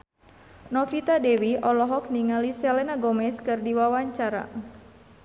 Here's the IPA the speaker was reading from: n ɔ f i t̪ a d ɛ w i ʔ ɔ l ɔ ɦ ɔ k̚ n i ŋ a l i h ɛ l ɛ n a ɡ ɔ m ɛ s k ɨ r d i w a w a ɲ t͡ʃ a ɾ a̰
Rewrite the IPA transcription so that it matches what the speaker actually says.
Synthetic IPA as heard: n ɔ f i t̪ a d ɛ w i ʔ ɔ l ɔ ɦ ɔ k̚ n i ŋ a l i s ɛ l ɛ n a ɡ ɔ m ɛ s k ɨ r d i w a w a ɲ t͡ʃ a ɾ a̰